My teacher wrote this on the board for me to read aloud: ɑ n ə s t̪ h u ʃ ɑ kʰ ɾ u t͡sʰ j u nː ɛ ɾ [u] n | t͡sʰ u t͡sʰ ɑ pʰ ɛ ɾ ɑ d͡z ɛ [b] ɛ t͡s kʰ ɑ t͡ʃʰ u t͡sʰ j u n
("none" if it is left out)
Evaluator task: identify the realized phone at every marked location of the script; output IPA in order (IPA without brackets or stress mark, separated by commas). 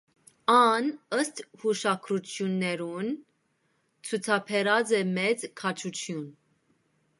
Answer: u, m